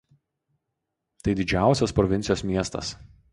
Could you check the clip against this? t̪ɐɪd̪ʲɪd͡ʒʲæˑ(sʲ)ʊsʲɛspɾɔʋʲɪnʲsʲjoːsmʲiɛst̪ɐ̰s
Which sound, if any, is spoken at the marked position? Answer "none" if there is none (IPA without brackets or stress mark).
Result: none